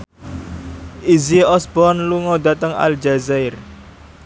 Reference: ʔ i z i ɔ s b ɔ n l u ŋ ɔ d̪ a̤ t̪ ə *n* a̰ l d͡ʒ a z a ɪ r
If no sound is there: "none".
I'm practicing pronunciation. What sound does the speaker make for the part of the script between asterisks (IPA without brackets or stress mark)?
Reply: ŋ